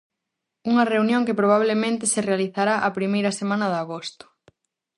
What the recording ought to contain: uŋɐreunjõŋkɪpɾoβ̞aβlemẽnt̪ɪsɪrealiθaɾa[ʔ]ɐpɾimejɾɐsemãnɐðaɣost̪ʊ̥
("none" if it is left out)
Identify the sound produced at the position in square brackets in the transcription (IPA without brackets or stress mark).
ʔ